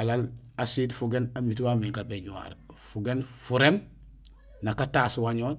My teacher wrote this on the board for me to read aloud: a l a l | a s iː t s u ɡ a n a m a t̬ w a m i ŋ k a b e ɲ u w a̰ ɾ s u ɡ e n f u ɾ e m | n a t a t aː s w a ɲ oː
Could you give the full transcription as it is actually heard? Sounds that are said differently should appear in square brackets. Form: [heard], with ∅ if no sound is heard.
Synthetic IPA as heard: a l a l | a s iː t [f] u ɡ [e] n a m [i] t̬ w a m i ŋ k a b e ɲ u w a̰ ɾ [f] u ɡ e n f u ɾ e m | n a [k] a t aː s w a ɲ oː